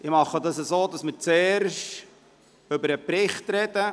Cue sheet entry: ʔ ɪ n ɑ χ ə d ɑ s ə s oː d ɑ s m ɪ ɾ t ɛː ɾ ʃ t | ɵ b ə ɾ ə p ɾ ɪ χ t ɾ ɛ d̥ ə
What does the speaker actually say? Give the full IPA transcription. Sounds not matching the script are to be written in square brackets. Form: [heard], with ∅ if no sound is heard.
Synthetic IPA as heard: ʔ ɪ [m] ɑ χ ə d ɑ s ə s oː d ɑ s m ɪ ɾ [t͡s] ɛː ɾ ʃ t | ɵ b ə ɾ ə p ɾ ɪ χ t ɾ ɛ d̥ ə